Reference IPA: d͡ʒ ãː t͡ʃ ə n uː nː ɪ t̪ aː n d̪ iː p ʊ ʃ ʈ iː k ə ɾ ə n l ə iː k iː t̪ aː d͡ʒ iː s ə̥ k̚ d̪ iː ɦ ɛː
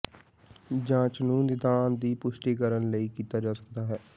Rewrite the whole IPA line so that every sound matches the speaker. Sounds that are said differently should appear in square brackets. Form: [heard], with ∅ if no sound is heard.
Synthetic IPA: d͡ʒ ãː t͡ʃ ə n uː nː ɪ [d̪] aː n d̪ iː p ʊ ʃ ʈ iː k ə ɾ ə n l ə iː k iː t̪ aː d͡ʒ [aː] s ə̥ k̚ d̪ [aː] ɦ ɛː